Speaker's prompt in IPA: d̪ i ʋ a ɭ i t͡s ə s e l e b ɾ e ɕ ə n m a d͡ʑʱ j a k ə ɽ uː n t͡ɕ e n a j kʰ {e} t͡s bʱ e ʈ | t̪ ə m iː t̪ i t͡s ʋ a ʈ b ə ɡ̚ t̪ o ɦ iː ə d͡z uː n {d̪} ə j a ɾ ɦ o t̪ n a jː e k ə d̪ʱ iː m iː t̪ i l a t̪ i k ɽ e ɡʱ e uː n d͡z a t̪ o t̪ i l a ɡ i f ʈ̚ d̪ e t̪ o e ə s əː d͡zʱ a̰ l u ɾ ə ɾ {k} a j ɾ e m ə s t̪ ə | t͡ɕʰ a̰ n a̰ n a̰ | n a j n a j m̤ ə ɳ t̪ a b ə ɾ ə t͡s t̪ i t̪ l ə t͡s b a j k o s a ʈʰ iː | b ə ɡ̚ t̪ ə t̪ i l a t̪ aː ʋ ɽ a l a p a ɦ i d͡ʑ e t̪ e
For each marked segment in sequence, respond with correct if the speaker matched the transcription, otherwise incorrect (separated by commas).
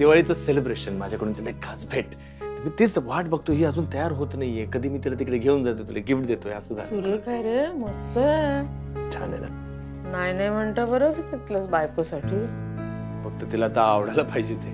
incorrect, incorrect, correct